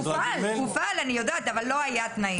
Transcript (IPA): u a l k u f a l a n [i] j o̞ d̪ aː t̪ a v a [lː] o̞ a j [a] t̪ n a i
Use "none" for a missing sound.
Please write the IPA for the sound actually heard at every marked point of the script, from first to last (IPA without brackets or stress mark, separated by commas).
i, lː, a